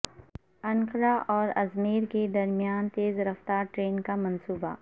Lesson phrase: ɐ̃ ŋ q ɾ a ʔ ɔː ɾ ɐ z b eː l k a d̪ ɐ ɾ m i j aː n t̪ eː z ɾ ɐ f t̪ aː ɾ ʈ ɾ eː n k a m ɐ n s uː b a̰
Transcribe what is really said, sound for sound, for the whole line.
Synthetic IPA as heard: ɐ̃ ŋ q ɾ a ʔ ɔː ɾ ɐ z m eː ɾ k e d̪ ɐ ɾ m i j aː n t̪ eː z ɾ ɐ f t̪ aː ɾ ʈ ɾ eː n k a m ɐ n s uː b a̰